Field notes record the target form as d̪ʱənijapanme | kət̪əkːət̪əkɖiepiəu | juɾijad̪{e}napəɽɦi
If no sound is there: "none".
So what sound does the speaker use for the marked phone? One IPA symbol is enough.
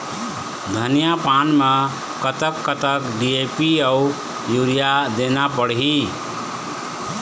e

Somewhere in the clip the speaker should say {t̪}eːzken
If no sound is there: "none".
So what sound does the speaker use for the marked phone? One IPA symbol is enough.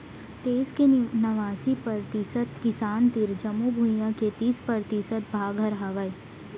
t̪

